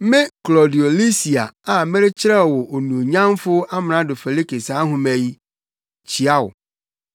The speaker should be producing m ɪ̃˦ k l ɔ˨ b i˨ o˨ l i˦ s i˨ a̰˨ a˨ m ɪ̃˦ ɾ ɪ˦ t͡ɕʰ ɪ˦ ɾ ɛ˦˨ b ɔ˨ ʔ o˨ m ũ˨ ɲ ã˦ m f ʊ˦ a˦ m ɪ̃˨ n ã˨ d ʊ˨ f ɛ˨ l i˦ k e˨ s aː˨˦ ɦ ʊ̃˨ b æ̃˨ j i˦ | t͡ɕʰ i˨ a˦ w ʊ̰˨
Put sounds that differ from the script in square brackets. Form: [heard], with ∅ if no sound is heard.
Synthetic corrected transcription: m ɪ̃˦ k l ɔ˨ [d] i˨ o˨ l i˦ s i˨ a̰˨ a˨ m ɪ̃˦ ɾ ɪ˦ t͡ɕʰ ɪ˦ ɾ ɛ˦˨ [w] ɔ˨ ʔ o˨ [n] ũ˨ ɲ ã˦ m f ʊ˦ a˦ m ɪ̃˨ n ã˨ d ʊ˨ f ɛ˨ l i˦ k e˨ s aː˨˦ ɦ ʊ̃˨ [m] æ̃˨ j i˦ | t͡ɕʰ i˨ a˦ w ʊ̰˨

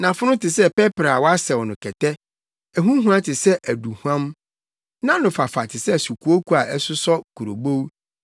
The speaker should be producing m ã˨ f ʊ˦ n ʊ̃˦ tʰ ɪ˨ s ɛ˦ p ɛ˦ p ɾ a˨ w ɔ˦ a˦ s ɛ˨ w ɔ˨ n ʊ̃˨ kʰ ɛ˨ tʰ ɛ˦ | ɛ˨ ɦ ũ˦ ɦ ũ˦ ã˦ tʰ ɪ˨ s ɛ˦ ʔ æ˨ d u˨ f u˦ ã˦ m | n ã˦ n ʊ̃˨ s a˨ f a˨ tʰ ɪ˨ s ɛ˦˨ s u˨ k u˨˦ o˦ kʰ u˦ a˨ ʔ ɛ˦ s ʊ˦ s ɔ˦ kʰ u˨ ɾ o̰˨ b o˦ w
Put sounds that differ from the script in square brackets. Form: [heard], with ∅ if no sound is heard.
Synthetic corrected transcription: [n] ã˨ f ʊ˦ n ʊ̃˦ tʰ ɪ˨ s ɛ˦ p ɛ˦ p ɾ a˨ w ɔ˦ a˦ s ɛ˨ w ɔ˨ n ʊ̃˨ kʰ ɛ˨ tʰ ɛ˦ | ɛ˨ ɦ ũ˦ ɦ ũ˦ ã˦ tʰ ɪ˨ s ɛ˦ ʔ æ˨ d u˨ [h] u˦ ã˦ m | n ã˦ n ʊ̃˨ [f] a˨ f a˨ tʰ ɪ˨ s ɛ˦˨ s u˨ k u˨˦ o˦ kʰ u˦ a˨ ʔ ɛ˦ s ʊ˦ s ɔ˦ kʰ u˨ ɾ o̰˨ b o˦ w

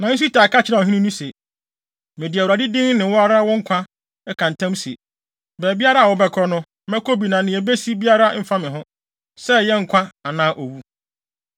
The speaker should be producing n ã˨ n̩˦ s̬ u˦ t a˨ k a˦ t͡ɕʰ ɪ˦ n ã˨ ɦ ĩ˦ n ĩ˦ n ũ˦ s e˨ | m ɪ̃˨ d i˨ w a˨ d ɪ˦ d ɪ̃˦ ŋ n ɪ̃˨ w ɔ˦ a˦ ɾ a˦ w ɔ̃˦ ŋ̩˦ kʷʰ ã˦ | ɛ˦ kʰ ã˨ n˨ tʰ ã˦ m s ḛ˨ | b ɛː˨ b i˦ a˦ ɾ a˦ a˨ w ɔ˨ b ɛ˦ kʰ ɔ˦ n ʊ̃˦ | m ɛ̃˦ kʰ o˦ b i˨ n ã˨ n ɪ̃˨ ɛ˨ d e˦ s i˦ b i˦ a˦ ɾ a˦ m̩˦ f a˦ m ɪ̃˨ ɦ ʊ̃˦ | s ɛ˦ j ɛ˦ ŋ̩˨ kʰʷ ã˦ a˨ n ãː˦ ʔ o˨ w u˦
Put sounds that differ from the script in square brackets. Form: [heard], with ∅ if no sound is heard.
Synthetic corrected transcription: n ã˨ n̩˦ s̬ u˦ t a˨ k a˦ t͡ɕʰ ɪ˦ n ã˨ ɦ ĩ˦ n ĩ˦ n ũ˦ s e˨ | m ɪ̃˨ d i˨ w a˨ d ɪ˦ d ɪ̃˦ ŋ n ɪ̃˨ w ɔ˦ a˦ ɾ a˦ w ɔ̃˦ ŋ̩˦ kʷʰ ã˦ | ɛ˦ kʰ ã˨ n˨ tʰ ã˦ m s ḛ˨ | b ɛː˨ b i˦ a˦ ɾ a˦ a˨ w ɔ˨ b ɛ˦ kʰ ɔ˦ n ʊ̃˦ | m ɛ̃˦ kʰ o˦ b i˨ n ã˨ n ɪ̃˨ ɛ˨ [b] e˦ s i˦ b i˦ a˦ ɾ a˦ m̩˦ f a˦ m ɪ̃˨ ɦ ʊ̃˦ | s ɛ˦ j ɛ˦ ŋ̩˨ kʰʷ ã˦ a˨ n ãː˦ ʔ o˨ w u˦

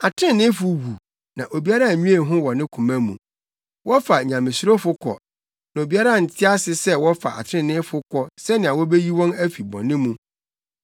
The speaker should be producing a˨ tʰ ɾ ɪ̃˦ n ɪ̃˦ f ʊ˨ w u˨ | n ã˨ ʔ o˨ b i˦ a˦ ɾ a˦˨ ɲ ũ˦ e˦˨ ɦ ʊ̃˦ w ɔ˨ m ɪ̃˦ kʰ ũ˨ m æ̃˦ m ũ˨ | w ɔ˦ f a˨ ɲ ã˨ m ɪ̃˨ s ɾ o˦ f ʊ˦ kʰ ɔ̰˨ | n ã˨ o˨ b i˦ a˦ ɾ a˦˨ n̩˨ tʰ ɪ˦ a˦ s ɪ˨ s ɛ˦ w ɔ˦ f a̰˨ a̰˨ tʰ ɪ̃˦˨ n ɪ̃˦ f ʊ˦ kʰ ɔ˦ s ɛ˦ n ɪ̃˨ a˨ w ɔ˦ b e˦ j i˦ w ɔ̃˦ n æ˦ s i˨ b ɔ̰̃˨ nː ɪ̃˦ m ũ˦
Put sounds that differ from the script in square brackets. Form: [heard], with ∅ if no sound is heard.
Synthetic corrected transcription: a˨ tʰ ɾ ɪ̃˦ n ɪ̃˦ f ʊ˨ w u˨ | n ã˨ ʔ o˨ b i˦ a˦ ɾ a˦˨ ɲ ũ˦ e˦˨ ɦ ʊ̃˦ w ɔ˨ [n] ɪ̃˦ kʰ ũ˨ m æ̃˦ m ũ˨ | w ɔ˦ f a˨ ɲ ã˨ m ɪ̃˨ s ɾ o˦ f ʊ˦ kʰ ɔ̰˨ | n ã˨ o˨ b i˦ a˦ ɾ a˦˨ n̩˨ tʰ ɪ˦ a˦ s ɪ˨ s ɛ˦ w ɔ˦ f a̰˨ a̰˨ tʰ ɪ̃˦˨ n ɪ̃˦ f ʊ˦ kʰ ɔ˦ s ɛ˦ n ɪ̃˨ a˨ w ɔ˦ b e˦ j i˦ w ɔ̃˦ n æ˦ [f] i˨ b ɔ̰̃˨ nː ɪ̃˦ m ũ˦

